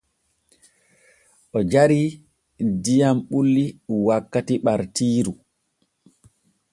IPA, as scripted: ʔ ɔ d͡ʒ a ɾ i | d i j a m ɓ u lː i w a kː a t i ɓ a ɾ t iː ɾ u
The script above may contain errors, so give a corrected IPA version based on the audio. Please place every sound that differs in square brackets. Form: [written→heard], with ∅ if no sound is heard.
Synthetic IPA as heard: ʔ ɔ d͡ʒ a ɾ i | d i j a m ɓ u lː i w a kː a t i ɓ a ɾ t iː ɾ u

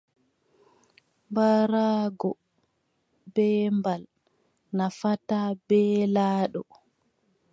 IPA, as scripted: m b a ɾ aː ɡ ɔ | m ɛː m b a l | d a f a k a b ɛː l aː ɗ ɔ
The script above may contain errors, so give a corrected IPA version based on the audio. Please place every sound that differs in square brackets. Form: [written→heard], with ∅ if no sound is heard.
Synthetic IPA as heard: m b a ɾ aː ɡ ɔ | [m→b] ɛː m b a l | [d→n] a f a [k→t] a b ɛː l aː ɗ ɔ

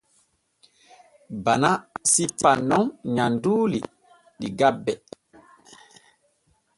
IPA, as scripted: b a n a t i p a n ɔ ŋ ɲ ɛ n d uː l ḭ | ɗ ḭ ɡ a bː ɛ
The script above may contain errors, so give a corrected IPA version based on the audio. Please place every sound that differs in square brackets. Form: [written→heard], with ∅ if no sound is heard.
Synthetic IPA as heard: b a n a [t→s] i p a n ɔ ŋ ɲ [ɛ→a] n d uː l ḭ | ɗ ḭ ɡ a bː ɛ

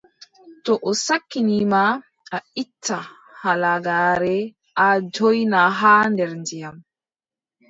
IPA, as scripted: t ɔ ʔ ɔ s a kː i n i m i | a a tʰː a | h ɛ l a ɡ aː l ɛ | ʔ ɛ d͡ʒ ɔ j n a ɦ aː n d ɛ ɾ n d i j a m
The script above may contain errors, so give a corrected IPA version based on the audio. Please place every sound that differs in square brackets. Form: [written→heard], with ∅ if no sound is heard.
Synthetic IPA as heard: t ɔ ʔ ɔ s a kː i n i m [i→a] | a [a→i] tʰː a | h [ɛ→a] l a ɡ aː [l→ɾ] ɛ | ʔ [ɛ→a] d͡ʒ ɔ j n a ɦ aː n d ɛ ɾ n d i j a m

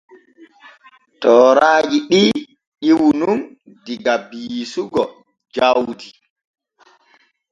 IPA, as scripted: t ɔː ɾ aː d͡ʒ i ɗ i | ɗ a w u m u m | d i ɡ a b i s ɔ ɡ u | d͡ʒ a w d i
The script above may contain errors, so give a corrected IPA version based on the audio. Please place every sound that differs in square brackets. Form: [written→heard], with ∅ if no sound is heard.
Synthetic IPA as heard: t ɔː ɾ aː d͡ʒ i ɗ i | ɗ [a→i] w u [m→n] u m | d i ɡ a b i s [ɔ→u] ɡ [u→ɔ] | d͡ʒ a w d i

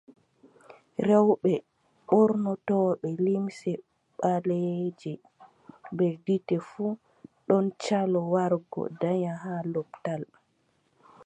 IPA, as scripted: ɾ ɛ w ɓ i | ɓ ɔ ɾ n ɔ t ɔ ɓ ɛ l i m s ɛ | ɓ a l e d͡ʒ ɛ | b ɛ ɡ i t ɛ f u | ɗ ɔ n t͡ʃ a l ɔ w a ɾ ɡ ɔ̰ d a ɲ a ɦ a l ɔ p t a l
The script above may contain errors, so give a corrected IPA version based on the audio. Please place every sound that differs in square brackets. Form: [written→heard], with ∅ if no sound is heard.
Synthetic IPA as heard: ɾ ɛ w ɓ [i→ɛ] | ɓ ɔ ɾ n ɔ t ɔ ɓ ɛ l i m s ɛ | ɓ a l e d͡ʒ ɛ | b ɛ [ɡ→d] i t ɛ f u | ɗ ɔ n t͡ʃ a l ɔ w a ɾ ɡ ɔ̰ d a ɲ a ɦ a l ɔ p t a l

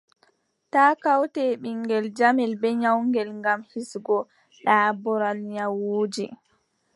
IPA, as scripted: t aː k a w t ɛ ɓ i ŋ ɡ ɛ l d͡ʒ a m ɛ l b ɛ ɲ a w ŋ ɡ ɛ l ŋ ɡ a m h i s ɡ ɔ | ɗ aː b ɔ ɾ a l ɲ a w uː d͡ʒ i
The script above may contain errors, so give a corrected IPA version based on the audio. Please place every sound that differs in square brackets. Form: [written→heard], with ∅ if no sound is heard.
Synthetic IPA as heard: t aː k a w t ɛ ɓ i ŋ ɡ ɛ l d͡ʒ a m ɛ l b ɛ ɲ a w ŋ ɡ ɛ l ŋ ɡ a m h i s ɡ ɔ | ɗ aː b ɔ ɾ a l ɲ a w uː d͡ʒ i

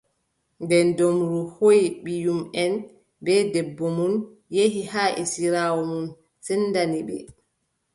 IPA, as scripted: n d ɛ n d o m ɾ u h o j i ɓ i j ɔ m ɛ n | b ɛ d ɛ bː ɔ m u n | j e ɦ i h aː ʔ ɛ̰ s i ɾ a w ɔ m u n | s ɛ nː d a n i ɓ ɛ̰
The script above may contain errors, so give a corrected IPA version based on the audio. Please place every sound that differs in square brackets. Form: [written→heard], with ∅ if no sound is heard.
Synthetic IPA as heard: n d ɛ n d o m ɾ u h o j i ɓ i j [ɔ→u] m ɛ n | b ɛ d ɛ bː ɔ m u n | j e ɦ i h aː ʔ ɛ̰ s i ɾ a w ɔ m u n | s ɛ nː d a n i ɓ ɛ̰

